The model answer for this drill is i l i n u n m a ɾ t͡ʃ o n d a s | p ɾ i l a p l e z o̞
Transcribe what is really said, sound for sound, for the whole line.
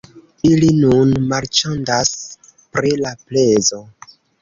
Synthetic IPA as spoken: i l i n u n m a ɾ t͡ʃ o n d a s | p ɾ i l a p l e z o̞